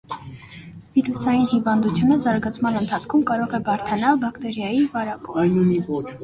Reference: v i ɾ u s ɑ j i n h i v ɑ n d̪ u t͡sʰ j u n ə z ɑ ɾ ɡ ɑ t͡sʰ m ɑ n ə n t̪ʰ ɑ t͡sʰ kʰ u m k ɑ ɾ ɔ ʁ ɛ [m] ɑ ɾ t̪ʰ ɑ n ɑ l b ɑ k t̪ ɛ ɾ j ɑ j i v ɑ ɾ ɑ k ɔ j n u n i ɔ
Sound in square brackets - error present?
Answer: yes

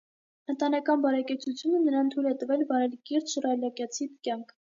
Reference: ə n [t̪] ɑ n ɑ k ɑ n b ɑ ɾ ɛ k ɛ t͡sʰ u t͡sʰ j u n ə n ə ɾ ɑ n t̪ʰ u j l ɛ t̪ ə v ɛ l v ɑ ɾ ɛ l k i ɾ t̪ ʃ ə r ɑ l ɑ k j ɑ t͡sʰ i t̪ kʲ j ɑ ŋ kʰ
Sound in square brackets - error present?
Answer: no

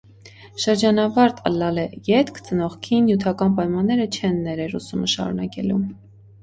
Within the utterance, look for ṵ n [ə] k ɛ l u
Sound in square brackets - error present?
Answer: yes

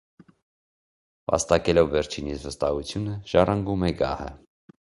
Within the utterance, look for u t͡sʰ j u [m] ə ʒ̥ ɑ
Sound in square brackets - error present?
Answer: yes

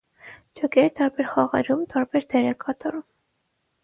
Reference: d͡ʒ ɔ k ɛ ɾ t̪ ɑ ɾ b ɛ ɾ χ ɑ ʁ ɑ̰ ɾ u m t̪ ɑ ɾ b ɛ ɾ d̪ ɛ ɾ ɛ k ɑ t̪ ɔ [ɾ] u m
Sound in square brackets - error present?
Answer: no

